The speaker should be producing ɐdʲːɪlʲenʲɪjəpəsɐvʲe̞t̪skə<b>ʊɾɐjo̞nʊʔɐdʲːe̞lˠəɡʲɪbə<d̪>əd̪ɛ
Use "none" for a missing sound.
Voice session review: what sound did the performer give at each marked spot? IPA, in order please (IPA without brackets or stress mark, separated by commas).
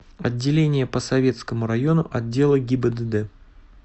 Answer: m, d̪